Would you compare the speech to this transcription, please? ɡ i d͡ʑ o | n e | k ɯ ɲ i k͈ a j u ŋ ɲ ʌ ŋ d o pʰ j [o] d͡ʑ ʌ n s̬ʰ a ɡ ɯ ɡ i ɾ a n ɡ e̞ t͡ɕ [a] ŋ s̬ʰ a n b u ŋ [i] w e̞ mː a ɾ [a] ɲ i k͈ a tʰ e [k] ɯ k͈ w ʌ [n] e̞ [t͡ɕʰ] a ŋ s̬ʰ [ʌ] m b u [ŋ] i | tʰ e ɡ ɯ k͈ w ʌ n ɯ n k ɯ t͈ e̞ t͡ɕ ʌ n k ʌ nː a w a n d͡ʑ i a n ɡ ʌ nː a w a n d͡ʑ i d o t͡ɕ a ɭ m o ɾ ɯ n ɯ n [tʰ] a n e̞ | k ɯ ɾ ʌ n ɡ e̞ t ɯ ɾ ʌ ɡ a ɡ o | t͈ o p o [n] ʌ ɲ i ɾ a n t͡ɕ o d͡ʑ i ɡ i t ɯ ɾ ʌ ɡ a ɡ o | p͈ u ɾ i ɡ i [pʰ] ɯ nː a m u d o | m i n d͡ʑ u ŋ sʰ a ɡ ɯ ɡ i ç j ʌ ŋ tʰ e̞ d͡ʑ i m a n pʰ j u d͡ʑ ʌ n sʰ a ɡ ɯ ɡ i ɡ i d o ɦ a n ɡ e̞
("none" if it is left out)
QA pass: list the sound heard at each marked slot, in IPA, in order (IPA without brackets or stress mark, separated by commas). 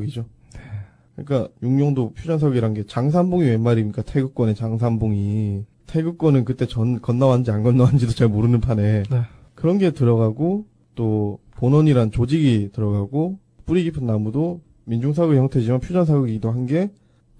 u, a, i, i, ɡ, n, t͡ɕ, a, ŋ, pʰ, n, pʰ